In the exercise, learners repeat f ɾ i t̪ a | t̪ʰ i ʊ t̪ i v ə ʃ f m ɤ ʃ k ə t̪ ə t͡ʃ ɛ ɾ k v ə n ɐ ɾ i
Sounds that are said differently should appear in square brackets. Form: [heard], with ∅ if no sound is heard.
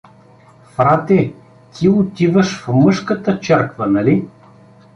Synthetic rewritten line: f ɾ [a] t̪ [ɛ] | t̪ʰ i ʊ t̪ i v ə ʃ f m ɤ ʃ k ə t̪ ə t͡ʃ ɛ ɾ k v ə n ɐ [l] i